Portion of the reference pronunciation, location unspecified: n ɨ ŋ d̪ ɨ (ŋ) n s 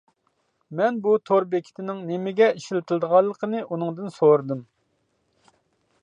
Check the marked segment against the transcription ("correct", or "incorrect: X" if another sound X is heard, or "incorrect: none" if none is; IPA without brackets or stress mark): incorrect: none